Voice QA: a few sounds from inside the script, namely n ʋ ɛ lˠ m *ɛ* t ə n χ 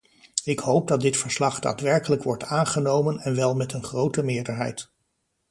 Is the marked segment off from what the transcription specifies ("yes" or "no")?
no